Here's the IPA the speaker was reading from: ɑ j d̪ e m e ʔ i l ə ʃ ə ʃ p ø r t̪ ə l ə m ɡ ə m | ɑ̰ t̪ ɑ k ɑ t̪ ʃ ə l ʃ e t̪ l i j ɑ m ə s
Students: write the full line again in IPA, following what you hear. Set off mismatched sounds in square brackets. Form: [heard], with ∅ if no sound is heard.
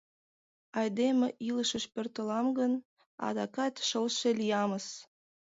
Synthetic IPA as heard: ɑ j d̪ e m e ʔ i l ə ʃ ə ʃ p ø r t̪ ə l [ɑ] m ɡ ə [n] | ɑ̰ [d̪] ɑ k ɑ t̪ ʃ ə l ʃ e [∅] l i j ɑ m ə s